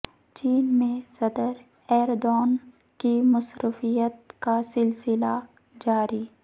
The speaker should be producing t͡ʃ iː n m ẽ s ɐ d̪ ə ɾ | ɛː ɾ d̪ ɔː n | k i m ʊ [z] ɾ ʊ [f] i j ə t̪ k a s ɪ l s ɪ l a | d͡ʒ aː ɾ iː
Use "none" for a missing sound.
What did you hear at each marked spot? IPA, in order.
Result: s, f

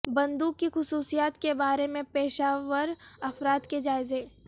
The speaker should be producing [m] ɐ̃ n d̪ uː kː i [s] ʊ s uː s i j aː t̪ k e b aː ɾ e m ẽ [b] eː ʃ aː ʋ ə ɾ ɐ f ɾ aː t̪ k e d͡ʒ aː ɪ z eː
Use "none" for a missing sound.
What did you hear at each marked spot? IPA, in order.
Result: b, x, p

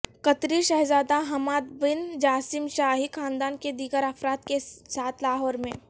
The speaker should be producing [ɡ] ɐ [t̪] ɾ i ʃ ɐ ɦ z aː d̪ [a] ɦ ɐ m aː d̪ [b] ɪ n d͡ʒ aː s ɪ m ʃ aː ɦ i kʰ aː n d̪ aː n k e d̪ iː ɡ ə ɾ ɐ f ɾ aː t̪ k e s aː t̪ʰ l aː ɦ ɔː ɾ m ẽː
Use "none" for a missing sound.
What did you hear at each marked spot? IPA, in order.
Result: k, t̪, a, b

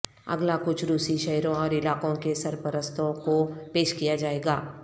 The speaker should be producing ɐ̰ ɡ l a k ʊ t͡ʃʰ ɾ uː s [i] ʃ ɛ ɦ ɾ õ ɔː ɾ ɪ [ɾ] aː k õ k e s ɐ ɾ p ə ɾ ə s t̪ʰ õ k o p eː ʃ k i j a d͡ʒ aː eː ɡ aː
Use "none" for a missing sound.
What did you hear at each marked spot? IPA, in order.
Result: i, l

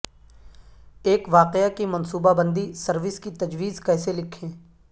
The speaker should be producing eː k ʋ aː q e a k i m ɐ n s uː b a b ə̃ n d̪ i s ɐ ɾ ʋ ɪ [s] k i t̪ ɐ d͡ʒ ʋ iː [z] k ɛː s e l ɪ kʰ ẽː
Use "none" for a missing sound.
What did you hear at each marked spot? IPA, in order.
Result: s, z

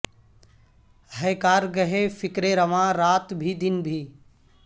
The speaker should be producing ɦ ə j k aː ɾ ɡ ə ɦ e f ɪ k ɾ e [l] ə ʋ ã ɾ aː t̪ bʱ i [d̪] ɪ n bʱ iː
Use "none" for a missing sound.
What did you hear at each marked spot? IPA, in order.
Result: ɾ, d̪

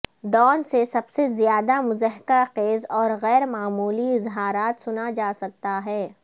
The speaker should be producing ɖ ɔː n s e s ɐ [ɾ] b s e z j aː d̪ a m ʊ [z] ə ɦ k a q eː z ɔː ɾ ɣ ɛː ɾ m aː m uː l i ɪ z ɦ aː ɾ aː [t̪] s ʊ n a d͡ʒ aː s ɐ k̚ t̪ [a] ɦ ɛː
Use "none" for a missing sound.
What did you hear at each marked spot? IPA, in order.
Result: none, z, t̪, a

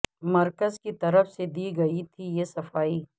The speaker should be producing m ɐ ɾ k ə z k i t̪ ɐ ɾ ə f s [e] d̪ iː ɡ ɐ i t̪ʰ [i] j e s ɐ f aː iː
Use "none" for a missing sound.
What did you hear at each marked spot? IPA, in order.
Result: e, i

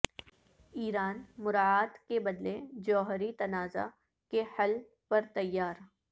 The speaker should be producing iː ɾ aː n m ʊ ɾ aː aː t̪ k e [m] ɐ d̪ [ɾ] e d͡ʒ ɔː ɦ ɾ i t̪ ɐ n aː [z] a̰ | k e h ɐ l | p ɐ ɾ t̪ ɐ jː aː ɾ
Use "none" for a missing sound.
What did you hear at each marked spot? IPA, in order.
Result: b, l, z

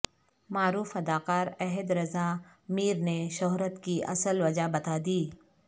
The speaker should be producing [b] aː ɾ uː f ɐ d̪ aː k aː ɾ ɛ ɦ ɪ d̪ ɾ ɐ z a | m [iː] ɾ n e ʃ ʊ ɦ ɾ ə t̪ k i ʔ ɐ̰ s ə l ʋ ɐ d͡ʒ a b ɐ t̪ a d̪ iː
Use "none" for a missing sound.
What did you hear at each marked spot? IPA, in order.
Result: m, iː

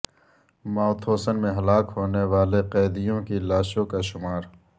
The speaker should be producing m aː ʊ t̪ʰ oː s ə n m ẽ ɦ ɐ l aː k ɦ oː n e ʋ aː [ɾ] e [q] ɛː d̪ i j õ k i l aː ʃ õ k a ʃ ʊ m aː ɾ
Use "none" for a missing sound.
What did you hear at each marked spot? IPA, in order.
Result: l, q

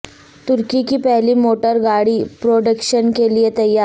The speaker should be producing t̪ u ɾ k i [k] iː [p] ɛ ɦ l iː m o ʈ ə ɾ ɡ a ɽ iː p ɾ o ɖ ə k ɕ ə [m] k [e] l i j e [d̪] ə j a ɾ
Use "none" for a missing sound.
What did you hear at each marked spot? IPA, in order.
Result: k, p, n, e, t̪

